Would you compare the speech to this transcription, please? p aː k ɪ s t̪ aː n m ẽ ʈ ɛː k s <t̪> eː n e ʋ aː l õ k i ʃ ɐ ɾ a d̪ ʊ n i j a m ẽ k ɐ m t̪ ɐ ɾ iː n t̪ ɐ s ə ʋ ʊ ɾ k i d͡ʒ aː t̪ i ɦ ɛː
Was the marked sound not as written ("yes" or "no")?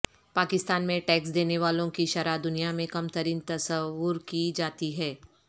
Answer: yes